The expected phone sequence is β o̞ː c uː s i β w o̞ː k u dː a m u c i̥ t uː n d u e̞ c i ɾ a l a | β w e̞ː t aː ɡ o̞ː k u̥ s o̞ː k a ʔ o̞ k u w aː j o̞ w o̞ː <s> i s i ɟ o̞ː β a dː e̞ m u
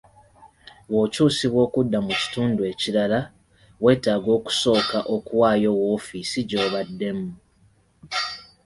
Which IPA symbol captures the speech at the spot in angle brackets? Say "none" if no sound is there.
f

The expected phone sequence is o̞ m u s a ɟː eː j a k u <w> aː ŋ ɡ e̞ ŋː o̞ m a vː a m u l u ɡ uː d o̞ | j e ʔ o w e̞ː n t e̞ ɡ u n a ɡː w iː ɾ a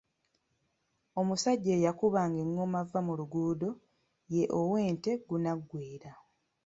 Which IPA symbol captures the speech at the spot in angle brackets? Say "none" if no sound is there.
β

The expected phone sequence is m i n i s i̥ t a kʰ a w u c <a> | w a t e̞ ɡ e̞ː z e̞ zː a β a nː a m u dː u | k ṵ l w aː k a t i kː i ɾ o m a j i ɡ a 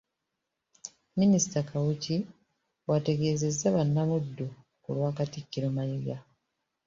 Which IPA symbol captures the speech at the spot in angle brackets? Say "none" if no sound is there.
i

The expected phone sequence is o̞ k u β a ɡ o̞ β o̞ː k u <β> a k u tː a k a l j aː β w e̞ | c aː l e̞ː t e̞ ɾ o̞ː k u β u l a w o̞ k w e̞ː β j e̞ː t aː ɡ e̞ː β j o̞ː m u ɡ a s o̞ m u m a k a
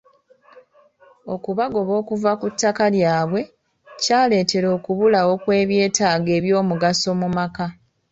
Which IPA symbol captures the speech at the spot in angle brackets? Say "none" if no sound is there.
v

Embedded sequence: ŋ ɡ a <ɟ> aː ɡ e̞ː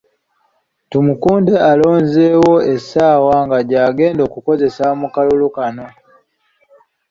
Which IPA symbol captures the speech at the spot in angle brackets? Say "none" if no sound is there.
ɟ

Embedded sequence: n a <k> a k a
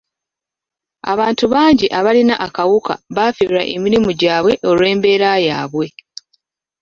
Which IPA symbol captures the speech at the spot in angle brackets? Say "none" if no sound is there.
ʔ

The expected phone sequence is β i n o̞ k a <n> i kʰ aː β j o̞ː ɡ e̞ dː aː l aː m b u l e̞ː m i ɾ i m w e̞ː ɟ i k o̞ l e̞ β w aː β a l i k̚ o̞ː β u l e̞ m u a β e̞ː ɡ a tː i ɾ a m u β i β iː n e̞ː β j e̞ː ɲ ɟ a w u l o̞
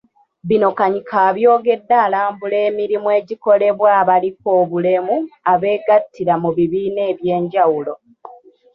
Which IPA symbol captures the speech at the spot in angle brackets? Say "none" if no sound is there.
ɲ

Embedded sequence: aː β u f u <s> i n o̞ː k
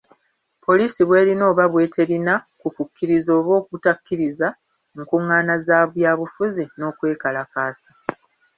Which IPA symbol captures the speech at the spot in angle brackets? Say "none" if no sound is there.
z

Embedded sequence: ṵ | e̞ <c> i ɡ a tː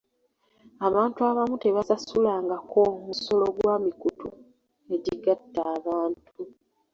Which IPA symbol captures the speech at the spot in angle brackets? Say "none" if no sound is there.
ɟ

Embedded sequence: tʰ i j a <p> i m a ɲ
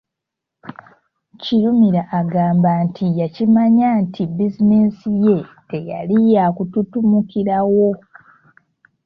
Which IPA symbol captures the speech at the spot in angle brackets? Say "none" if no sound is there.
c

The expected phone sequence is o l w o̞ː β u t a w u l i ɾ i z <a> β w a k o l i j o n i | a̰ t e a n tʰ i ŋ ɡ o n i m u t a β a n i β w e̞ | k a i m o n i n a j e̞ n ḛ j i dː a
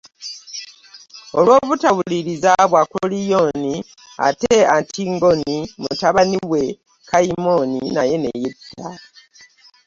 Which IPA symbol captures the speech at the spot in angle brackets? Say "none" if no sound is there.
a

